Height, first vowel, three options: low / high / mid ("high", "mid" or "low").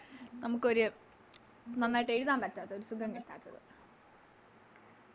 low